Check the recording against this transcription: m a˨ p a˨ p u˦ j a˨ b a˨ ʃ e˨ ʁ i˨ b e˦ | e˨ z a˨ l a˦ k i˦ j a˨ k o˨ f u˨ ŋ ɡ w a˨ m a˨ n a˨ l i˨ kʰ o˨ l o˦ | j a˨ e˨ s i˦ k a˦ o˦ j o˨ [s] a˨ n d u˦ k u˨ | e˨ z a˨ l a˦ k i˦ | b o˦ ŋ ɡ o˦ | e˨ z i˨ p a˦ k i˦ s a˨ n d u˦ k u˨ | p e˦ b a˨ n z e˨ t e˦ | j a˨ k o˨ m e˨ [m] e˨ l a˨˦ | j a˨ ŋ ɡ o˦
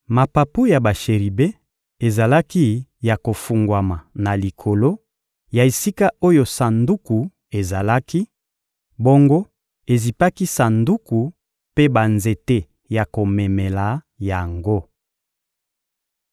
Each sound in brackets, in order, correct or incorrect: correct, correct

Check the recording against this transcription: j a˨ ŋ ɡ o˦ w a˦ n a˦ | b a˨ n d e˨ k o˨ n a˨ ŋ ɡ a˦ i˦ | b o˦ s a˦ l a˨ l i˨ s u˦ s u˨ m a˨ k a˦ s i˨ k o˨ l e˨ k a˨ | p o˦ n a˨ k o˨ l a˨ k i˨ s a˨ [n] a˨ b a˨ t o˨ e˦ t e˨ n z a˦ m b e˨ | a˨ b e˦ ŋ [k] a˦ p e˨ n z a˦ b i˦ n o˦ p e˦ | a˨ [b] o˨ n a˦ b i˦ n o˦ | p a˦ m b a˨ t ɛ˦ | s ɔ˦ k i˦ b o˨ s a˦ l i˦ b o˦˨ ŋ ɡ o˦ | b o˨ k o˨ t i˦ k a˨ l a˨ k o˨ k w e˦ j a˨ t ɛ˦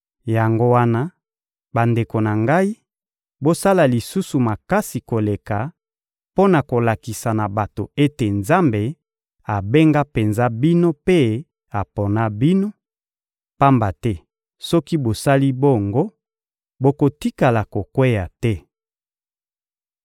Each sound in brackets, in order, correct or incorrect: correct, incorrect, incorrect

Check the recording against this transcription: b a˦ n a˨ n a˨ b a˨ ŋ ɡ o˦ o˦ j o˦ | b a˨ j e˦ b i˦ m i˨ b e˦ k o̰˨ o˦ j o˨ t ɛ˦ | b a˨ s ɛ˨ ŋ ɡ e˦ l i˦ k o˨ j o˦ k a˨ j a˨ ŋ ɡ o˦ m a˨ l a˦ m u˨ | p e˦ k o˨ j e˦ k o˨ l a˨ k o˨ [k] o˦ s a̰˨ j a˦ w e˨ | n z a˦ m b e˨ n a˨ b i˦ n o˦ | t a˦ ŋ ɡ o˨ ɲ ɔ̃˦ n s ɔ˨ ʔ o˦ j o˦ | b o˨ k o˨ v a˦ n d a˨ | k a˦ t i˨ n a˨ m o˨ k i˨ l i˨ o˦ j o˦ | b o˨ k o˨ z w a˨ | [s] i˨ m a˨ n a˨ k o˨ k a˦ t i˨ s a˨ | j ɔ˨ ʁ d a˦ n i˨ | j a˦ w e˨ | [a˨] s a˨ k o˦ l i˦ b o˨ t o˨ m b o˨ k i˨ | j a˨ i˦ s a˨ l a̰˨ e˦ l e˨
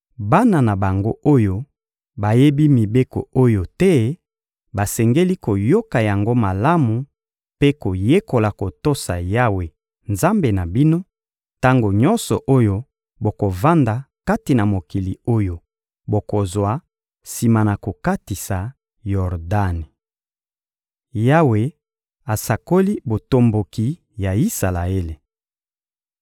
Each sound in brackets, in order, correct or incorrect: incorrect, correct, correct

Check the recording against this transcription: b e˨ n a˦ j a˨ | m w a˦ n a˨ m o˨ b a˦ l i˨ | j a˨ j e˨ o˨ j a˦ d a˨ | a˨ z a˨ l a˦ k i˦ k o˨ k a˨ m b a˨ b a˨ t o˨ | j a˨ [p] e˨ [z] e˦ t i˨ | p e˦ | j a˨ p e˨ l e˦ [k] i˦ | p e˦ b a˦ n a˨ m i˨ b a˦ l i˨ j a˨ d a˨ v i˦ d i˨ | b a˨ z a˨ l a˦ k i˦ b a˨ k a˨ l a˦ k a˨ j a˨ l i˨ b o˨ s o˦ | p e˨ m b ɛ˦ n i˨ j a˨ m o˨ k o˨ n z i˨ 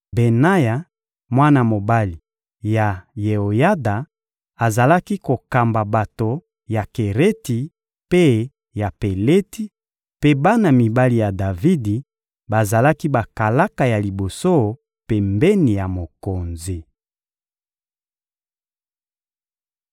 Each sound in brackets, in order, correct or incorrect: incorrect, incorrect, incorrect

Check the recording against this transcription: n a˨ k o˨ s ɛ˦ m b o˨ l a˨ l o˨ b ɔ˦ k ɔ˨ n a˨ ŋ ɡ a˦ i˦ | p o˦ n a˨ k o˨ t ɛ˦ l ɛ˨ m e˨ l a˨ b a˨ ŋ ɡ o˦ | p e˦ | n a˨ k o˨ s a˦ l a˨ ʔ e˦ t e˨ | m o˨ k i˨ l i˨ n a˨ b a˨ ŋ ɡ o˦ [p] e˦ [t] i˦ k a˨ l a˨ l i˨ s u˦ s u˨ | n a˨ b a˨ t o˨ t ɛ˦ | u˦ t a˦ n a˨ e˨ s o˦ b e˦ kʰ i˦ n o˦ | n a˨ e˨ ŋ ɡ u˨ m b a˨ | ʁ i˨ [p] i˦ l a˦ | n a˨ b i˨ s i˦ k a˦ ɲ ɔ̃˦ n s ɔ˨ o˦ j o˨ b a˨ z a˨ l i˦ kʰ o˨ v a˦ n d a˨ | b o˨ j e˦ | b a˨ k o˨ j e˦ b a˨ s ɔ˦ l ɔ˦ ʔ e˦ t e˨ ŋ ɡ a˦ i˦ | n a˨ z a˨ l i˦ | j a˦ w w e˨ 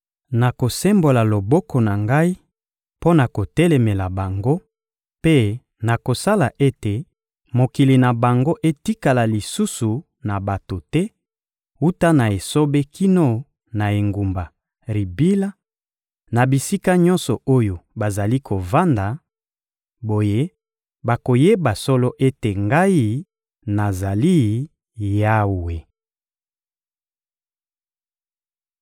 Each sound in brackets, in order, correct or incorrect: incorrect, correct, incorrect

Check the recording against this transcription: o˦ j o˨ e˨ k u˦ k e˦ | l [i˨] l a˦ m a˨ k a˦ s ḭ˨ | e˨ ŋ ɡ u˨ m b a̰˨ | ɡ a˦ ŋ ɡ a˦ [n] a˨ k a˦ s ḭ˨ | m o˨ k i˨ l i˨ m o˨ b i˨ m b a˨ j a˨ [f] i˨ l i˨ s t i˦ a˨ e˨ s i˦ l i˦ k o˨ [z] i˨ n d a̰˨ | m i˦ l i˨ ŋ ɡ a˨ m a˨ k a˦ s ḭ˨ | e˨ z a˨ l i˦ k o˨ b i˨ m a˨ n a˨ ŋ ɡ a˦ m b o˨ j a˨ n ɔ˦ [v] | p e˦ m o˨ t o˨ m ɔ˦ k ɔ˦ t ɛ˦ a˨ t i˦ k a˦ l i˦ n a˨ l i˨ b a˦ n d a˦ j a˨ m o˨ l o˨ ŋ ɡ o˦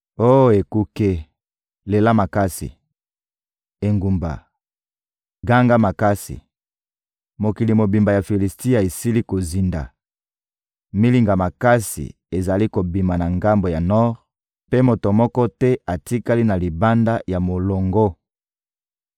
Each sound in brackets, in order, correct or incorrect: incorrect, incorrect, correct, correct, incorrect

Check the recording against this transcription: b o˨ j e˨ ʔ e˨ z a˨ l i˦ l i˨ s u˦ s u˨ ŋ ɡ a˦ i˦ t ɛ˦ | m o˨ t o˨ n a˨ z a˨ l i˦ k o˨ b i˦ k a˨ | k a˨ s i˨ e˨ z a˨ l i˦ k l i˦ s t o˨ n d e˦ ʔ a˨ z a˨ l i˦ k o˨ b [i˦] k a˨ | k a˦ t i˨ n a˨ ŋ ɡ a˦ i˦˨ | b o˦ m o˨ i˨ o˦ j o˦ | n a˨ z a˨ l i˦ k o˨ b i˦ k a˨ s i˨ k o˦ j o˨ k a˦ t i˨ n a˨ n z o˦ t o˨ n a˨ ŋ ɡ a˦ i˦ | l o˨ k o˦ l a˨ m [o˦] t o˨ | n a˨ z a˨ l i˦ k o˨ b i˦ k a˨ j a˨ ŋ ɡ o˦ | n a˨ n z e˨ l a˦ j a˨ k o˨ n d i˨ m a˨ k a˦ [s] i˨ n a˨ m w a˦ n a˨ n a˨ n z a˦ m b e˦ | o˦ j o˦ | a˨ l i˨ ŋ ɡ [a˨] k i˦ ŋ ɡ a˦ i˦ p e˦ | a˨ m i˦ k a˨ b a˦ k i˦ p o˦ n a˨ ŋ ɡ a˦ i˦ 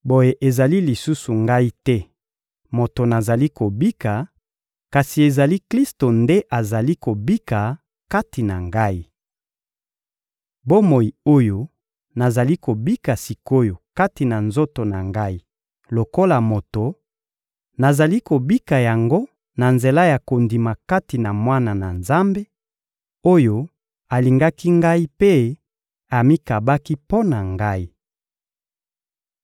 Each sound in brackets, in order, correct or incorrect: correct, incorrect, incorrect, incorrect

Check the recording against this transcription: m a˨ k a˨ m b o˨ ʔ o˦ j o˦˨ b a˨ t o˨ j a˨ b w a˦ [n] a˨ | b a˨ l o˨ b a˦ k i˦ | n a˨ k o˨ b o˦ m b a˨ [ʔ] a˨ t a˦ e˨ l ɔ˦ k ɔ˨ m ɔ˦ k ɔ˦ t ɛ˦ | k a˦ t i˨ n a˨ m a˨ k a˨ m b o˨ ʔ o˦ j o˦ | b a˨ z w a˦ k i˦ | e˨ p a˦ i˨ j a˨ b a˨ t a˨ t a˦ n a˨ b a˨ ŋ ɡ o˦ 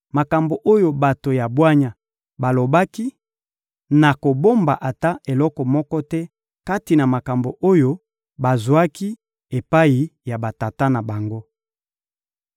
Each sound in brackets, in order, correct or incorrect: incorrect, correct

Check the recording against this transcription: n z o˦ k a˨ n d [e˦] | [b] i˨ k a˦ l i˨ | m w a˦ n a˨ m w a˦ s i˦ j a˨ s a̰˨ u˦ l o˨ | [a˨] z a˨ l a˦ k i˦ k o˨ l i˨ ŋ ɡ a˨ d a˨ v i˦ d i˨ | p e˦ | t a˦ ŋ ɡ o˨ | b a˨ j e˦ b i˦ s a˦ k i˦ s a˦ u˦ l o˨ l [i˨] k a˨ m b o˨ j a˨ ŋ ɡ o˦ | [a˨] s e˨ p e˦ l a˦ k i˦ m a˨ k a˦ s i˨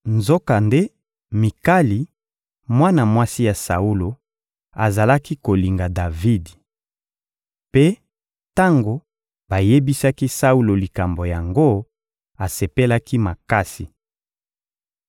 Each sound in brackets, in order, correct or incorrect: correct, incorrect, correct, correct, correct

